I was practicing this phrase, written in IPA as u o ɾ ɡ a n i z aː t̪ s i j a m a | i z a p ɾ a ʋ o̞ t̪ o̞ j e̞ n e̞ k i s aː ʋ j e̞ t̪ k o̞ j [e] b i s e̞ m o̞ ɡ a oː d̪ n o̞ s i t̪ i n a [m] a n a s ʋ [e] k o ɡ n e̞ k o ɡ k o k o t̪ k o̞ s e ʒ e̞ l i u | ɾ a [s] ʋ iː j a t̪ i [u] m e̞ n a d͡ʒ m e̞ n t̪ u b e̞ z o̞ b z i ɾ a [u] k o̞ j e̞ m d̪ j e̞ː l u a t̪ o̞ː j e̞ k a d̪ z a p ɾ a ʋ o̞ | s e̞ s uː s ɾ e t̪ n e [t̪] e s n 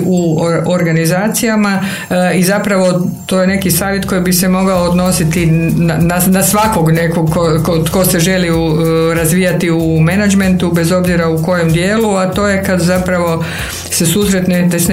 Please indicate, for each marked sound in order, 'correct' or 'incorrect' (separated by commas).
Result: incorrect, incorrect, incorrect, incorrect, correct, correct, correct